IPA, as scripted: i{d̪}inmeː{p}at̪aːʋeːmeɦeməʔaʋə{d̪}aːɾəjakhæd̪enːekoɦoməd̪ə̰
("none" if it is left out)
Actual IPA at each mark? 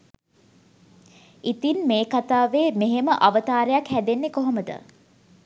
t̪, k, t̪

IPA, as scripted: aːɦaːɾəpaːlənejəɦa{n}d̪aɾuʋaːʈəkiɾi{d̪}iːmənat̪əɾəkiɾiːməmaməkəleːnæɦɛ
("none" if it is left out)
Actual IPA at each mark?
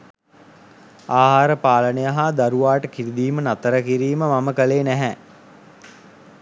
none, d̪

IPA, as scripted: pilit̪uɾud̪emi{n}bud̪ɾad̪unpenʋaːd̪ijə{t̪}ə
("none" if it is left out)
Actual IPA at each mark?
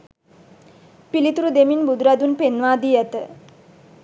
n, t̪

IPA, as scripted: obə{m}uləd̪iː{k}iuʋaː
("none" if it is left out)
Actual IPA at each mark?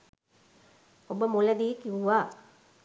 m, k

